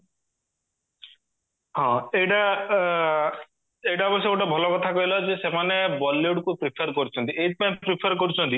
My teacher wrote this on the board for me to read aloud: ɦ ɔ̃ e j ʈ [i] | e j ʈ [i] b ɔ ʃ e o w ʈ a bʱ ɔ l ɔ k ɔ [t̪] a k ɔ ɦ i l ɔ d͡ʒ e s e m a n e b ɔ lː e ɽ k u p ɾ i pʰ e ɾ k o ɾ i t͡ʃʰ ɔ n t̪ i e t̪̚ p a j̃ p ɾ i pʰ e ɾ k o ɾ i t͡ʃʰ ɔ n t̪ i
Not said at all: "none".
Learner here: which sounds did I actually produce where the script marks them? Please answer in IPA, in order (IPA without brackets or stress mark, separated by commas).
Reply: a, a, t̪ʰ